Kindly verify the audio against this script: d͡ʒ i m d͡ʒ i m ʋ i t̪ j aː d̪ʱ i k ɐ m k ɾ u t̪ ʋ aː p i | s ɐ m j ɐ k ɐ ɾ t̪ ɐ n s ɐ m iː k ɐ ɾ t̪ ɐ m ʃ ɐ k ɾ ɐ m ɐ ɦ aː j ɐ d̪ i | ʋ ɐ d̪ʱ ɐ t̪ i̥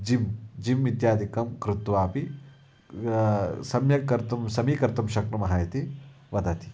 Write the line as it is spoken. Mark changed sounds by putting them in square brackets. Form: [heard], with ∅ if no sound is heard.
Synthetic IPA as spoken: d͡ʒ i m d͡ʒ i m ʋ i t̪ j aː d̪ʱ i k ɐ m k ɾ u t̪ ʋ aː p i | s ɐ m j ɐ k ɐ ɾ t̪ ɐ [m] s ɐ m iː k ɐ ɾ t̪ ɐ m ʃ ɐ k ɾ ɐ m ɐ ɦ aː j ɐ [t̪] i | ʋ ɐ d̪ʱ ɐ t̪ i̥